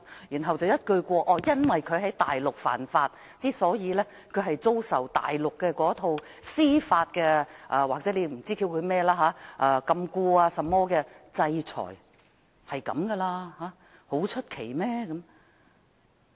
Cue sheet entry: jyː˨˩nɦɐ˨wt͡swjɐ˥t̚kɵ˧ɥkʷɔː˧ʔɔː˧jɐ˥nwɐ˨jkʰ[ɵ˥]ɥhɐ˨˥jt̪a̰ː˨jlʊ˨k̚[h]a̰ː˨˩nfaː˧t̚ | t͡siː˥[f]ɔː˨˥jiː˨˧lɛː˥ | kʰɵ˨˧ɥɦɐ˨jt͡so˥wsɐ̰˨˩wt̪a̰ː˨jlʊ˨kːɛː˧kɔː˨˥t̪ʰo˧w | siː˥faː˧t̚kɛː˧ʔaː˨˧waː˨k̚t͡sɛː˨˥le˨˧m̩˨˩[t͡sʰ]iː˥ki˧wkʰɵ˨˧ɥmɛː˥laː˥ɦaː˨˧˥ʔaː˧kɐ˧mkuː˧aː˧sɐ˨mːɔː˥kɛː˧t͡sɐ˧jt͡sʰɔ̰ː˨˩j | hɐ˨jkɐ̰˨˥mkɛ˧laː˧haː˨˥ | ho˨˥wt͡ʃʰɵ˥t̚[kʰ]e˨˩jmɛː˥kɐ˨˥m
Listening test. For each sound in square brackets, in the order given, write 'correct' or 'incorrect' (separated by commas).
incorrect, incorrect, incorrect, incorrect, correct